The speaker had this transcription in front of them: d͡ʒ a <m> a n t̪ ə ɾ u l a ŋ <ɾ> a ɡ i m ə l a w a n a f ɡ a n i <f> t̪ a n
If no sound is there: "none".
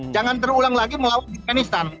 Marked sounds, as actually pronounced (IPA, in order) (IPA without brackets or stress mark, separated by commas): ŋ, l, s